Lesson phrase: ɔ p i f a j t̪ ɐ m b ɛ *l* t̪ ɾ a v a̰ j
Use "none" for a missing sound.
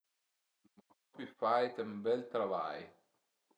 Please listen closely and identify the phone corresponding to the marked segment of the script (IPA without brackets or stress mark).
l